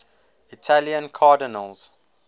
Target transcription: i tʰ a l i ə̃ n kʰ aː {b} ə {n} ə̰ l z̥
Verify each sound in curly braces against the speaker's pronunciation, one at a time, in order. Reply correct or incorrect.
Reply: incorrect: d, correct

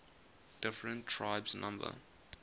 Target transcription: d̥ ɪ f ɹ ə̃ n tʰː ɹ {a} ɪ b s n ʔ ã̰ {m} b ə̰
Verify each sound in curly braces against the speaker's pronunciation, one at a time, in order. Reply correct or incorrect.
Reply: correct, correct

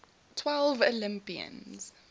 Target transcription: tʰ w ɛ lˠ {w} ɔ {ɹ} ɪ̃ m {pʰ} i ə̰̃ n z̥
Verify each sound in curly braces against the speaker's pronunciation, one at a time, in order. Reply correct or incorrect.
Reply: incorrect: v, incorrect: l, incorrect: p

